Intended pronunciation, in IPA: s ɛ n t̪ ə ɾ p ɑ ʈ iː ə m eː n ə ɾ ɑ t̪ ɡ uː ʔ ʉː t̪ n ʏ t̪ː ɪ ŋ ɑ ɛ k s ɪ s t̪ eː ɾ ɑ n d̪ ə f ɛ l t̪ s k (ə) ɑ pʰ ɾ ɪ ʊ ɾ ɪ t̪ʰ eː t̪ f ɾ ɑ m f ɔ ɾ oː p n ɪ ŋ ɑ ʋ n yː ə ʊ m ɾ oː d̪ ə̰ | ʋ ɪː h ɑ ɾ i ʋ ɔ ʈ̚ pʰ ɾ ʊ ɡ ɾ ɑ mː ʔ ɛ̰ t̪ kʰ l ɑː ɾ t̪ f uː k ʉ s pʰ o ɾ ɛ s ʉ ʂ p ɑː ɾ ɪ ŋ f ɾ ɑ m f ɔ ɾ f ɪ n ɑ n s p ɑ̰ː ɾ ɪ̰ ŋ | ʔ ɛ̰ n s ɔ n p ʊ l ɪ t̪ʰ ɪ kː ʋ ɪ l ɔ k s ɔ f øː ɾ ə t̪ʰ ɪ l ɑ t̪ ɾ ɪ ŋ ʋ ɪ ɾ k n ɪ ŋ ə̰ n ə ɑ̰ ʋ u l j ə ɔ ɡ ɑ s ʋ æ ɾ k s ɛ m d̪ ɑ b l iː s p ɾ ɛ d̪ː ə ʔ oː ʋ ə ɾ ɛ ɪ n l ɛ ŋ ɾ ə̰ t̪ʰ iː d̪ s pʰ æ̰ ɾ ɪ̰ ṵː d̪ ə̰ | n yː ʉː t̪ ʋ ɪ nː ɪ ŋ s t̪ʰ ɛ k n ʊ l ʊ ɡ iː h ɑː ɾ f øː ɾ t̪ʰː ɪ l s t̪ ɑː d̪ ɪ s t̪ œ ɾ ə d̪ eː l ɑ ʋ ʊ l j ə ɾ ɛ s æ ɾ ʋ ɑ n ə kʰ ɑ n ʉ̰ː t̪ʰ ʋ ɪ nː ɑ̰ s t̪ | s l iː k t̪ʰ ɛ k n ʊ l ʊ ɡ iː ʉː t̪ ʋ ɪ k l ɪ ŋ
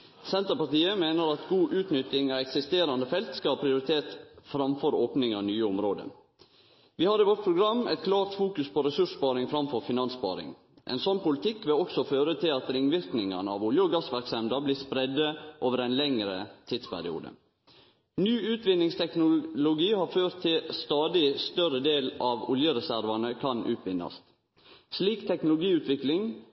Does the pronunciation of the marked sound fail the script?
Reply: yes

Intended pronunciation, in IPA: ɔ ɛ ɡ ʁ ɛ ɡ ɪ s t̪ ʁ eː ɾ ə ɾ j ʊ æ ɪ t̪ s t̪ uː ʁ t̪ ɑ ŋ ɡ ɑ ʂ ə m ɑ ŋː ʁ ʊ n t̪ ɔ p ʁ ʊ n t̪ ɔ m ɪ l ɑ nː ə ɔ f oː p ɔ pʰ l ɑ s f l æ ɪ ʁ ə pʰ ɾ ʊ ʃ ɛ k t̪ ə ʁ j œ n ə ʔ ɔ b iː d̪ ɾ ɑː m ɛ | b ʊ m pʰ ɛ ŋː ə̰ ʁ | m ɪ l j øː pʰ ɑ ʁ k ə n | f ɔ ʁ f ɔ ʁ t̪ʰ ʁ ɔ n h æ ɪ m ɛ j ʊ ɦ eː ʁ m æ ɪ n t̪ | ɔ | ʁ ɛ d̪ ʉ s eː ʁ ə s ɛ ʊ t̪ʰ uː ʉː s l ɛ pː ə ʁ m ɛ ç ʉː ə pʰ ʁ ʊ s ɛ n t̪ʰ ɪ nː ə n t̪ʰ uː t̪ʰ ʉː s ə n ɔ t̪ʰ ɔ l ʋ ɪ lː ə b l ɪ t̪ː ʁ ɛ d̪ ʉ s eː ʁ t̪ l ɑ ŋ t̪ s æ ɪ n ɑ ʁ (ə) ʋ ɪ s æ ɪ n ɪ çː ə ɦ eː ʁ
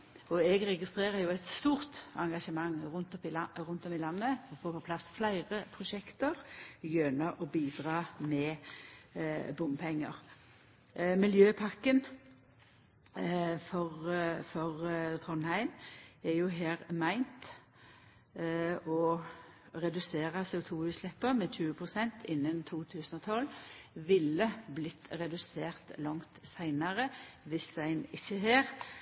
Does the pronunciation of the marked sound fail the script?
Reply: no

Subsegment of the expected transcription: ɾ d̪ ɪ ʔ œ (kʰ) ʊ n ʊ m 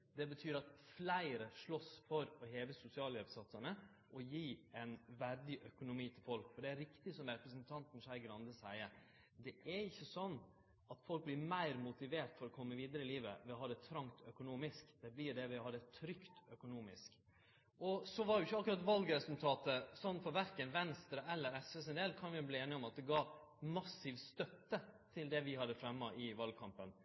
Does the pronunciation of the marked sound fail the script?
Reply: yes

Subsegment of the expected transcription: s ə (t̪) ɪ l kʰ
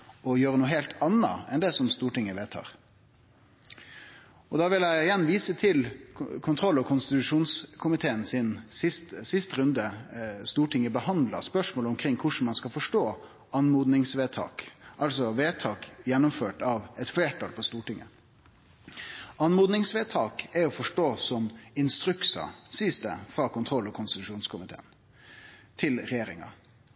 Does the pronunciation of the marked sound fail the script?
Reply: yes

